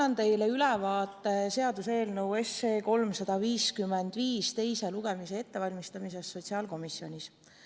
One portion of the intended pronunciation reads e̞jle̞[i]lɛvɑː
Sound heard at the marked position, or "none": y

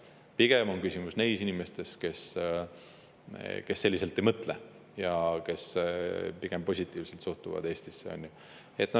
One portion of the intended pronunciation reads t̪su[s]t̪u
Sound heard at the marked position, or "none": h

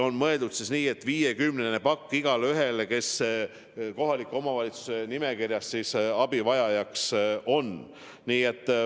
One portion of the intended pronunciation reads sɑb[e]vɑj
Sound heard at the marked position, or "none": i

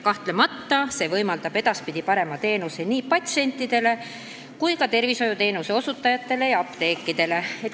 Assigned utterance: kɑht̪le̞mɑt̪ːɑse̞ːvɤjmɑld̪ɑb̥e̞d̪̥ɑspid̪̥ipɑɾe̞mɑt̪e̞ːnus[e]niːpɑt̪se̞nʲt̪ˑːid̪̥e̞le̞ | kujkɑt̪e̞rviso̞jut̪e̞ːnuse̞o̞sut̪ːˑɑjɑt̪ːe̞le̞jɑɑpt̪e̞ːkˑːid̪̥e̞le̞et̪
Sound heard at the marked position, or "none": e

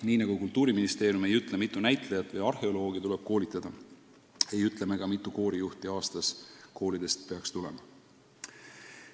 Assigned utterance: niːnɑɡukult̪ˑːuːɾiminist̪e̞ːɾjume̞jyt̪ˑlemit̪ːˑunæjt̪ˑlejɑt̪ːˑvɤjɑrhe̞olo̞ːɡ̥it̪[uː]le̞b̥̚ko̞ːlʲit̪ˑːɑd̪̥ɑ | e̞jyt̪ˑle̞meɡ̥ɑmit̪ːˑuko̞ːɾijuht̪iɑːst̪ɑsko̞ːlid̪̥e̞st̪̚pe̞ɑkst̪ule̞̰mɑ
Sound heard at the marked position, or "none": u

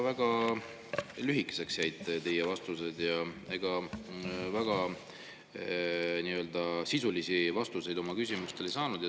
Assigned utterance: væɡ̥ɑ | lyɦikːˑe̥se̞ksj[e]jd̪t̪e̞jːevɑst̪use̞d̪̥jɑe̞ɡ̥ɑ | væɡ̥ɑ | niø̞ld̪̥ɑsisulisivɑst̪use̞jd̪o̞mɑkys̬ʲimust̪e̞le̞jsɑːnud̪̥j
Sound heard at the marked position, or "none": æ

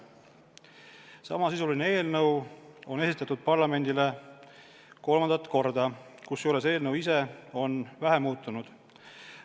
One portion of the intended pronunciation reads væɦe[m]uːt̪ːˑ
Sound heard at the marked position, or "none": m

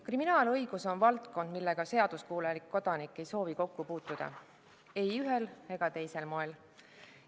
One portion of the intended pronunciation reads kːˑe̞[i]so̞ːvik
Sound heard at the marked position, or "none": j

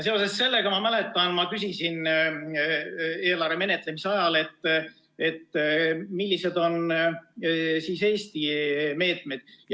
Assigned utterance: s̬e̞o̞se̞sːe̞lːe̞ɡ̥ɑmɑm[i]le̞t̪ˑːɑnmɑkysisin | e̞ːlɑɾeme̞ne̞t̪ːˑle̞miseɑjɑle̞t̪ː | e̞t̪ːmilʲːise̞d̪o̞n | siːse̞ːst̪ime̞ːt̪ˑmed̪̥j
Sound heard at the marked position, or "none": æ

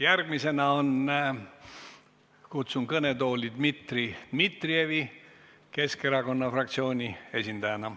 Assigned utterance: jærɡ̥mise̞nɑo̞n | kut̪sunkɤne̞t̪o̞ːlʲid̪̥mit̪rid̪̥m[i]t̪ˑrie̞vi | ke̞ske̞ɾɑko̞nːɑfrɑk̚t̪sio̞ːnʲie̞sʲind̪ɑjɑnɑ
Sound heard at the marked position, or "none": i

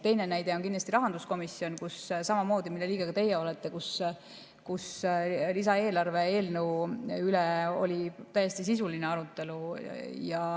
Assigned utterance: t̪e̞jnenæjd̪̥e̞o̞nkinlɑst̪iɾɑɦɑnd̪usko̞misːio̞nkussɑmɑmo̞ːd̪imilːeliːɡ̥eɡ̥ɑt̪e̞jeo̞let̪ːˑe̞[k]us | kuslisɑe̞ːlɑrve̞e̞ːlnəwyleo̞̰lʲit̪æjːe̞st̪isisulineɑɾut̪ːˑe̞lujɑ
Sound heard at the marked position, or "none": k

